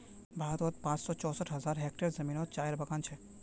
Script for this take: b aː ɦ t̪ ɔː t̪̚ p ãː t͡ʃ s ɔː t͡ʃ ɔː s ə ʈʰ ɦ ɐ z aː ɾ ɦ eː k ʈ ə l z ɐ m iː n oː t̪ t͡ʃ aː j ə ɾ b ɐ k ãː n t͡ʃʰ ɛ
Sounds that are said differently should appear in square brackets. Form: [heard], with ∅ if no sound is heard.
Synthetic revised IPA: b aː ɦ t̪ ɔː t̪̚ p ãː t͡ʃ s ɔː t͡ʃ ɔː s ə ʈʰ ɦ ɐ z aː ɾ ɦ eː k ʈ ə [ɾ] z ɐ m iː n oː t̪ t͡ʃ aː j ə ɾ b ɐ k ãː n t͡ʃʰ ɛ